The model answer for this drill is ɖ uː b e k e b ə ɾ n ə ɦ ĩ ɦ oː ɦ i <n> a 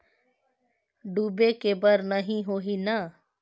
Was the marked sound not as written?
no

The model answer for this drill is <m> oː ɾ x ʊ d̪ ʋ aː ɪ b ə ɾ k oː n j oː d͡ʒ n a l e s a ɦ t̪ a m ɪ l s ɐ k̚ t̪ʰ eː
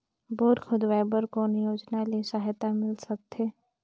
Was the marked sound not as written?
yes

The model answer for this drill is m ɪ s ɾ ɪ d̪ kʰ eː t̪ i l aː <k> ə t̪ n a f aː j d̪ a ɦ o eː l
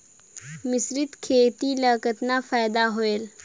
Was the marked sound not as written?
no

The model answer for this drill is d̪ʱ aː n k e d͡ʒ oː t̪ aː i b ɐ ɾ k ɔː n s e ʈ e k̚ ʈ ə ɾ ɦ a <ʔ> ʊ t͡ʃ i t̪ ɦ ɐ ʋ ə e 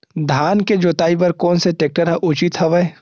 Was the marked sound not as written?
no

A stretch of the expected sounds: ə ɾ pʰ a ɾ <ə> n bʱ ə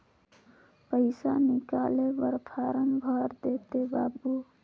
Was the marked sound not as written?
no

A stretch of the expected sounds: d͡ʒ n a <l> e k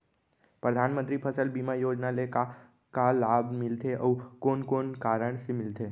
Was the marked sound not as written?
no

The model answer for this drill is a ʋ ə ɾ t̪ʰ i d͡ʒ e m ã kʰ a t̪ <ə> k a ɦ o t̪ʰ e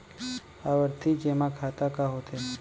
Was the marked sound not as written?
yes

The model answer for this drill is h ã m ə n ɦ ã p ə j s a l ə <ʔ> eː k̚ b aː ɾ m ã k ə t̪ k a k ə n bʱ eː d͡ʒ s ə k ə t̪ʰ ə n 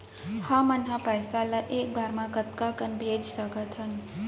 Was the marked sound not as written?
no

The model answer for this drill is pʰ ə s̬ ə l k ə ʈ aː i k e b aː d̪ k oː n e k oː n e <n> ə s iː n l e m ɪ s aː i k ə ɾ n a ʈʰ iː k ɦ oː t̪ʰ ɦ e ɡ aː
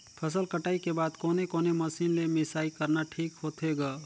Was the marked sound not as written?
yes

